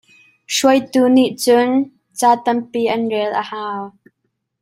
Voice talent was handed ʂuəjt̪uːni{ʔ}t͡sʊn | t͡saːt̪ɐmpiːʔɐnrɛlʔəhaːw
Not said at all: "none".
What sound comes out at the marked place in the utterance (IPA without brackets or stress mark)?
ʔ